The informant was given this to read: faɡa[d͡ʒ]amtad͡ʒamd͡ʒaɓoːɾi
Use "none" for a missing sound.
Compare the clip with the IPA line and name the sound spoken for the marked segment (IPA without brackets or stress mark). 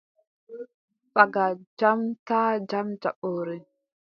d͡ʒ